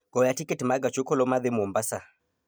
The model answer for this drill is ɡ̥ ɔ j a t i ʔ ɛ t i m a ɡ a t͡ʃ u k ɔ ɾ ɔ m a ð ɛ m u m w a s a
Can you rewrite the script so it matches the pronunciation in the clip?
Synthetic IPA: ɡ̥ ɔ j a t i k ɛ t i m a ɡ a t͡ʃ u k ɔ l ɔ m a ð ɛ m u m b a s a